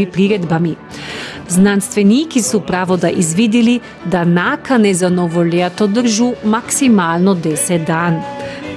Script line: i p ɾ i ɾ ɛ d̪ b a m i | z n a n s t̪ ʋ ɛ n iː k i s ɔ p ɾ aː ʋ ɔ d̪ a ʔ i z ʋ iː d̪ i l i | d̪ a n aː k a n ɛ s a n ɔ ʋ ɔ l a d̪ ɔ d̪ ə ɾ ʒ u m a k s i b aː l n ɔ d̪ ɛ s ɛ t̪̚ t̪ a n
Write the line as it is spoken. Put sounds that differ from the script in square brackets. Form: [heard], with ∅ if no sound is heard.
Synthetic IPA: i p ɾ i ɾ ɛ d̪ b a m i | z n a n s t̪ ʋ ɛ n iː k i s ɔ p ɾ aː ʋ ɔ d̪ a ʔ i z ʋ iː d̪ i l i | d̪ a n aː k a n ɛ [z] a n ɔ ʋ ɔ l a [t̪] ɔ d̪ ə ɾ ʒ u m a k s i [m] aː l n ɔ d̪ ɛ s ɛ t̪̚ [d̪] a n